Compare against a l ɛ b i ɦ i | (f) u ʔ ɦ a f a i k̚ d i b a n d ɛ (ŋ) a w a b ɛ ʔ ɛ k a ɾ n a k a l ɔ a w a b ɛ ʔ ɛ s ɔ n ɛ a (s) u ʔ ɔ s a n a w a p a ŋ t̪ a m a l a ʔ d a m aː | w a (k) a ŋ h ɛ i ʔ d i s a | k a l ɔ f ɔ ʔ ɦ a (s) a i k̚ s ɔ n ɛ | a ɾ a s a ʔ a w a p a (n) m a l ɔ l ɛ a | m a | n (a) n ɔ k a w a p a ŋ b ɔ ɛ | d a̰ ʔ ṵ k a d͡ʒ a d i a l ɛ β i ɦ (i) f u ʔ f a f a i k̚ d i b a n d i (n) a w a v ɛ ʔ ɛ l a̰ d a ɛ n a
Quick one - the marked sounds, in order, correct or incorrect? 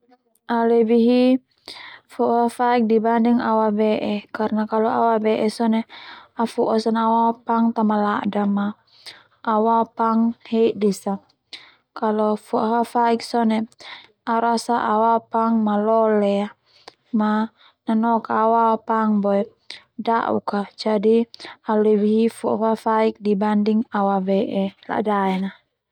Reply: correct, correct, incorrect: f, incorrect: p, incorrect: f, incorrect: ŋ, correct, correct, incorrect: ŋ

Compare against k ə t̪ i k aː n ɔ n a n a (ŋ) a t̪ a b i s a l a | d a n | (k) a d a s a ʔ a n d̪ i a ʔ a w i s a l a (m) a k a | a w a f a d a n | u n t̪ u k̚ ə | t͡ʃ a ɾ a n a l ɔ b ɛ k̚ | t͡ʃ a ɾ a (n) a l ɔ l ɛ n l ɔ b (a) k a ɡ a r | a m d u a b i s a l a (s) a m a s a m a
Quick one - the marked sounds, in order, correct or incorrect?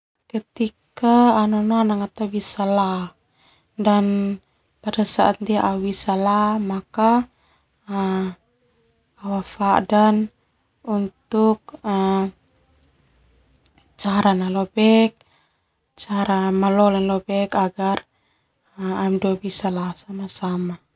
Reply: correct, incorrect: p, correct, incorrect: m, incorrect: ɛ, correct

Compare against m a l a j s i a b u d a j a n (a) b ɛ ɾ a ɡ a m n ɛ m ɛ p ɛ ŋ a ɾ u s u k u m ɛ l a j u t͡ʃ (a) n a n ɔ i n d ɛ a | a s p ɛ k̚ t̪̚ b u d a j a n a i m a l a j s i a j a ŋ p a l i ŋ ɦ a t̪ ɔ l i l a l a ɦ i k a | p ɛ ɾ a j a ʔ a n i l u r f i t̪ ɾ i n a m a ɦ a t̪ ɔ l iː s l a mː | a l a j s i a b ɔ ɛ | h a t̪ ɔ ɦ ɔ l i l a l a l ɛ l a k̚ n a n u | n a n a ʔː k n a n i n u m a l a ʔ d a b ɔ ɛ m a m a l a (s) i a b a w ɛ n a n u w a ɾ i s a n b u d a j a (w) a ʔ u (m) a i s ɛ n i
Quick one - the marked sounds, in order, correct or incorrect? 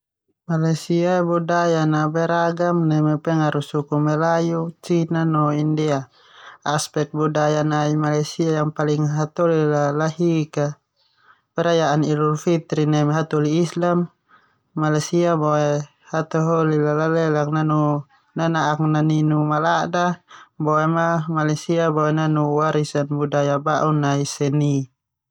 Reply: correct, incorrect: i, correct, incorrect: b, incorrect: n

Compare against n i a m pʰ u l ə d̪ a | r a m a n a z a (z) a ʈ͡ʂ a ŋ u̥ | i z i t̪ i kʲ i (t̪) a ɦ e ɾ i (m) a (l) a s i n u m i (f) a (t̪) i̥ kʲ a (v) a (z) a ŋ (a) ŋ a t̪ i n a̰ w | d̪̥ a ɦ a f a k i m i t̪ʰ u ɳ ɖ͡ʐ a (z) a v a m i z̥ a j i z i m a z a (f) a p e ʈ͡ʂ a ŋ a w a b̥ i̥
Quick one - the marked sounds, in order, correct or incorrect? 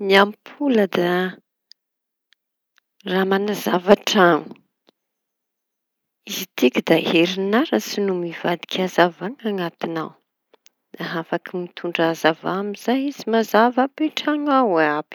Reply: incorrect: v, incorrect: d̪, incorrect: n, incorrect: ɾ, incorrect: v, incorrect: d̪, incorrect: z, incorrect: v, correct, correct, incorrect: v

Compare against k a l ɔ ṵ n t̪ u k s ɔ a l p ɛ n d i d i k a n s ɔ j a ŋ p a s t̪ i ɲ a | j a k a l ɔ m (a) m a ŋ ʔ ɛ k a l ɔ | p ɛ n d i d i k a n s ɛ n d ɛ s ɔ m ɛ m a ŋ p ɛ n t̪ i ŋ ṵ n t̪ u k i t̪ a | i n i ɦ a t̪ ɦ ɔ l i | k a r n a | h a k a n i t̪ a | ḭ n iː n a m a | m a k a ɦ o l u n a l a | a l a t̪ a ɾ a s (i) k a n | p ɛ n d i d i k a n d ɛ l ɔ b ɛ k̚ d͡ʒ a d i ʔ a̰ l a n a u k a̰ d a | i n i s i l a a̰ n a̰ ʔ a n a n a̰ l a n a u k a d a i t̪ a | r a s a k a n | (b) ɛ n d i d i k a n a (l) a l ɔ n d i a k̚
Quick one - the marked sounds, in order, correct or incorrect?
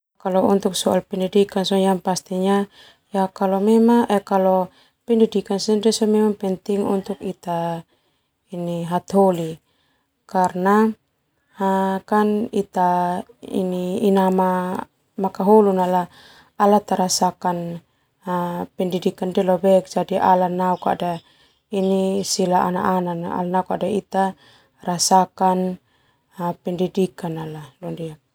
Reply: incorrect: ɛ, incorrect: a, incorrect: p, correct

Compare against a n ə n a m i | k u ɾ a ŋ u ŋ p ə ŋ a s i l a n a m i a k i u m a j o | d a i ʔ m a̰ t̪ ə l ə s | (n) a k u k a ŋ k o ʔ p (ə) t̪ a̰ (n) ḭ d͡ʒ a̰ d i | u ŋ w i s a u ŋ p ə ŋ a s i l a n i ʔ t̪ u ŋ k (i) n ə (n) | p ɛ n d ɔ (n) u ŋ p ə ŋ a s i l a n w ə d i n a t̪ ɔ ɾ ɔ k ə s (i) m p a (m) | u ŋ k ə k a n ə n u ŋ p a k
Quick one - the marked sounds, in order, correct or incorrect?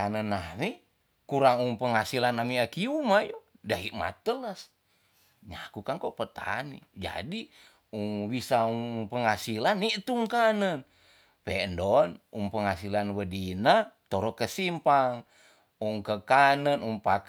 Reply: incorrect: ɲ, correct, correct, incorrect: a, correct, correct, correct, incorrect: ŋ

